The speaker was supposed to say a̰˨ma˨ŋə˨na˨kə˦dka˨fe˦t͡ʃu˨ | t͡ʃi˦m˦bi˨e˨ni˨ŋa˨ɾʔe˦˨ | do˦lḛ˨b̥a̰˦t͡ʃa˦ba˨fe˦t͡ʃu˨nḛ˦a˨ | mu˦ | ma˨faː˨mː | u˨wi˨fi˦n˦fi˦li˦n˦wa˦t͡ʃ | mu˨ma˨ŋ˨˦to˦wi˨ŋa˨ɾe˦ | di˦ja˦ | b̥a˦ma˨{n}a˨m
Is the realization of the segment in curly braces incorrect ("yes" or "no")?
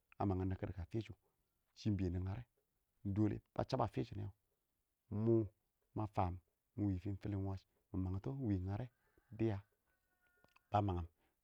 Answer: yes